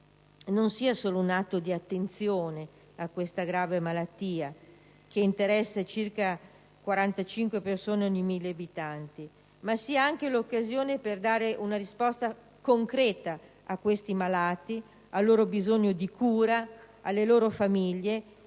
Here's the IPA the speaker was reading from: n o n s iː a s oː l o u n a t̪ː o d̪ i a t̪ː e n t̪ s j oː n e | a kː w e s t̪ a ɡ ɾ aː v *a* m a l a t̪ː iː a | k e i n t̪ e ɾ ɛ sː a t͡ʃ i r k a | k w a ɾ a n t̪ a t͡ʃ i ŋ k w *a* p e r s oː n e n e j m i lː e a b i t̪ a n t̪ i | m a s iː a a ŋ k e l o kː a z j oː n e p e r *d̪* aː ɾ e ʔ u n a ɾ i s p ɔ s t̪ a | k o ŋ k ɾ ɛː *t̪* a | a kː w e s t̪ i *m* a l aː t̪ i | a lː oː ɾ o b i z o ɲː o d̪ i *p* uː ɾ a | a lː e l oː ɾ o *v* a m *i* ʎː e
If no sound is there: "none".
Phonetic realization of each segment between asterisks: e, e, d̪, t̪, m, k, f, i

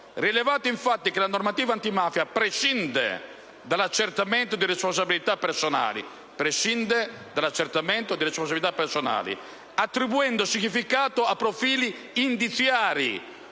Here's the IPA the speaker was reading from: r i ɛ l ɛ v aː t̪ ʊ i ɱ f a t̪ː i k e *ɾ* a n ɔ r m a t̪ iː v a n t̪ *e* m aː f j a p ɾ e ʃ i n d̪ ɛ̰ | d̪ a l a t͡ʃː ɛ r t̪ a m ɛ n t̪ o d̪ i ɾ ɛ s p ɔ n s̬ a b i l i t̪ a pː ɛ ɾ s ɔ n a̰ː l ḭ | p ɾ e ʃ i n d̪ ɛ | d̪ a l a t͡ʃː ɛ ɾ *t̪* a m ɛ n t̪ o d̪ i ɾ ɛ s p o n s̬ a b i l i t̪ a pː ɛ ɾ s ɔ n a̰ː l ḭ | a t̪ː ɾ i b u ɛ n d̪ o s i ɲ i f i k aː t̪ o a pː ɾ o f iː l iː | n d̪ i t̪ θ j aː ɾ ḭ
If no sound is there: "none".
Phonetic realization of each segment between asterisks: l, i, t̪

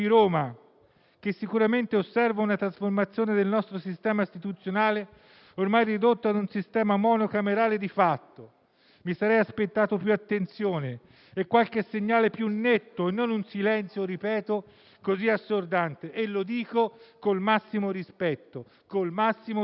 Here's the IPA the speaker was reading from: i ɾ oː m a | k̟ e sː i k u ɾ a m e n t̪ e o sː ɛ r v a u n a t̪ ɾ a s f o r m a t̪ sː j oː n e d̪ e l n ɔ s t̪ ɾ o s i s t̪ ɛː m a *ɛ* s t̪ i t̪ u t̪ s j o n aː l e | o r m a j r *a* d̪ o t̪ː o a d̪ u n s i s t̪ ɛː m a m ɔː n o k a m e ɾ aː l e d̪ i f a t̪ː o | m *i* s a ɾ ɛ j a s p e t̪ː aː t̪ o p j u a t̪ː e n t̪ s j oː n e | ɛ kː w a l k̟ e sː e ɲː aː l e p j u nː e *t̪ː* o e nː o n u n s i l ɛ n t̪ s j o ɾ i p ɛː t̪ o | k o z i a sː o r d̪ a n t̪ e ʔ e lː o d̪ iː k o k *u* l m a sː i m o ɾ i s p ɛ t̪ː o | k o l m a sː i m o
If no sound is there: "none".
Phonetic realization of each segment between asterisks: i, i, i, t̪ː, o

